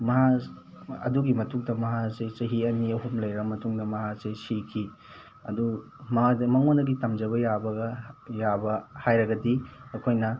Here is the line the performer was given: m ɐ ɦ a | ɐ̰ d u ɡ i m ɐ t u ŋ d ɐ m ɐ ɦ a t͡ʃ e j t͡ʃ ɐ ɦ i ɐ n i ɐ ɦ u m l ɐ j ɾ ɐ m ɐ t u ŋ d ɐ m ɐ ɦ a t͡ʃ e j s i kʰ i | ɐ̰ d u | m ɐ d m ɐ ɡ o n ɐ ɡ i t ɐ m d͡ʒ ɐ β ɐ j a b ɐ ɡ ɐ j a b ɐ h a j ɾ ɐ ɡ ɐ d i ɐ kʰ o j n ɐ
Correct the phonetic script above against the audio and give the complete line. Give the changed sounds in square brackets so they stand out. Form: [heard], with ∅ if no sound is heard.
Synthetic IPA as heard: m ɐ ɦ a | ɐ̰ d u ɡ i m ɐ t u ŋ d ɐ m ɐ ɦ a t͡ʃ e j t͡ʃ ɐ ɦ i ɐ n i ɐ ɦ u m l ɐ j ɾ ɐ m ɐ t u ŋ d ɐ m ɐ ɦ a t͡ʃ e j s i kʰ i | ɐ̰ d u | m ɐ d m ɐ [ŋ] o n ɐ ɡ i t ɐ m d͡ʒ ɐ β ɐ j a b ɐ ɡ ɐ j a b ɐ h a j ɾ ɐ ɡ ɐ d i ɐ kʰ o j n ɐ